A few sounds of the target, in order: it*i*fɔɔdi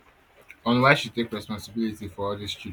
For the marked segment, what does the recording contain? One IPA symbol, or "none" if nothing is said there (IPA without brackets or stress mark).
i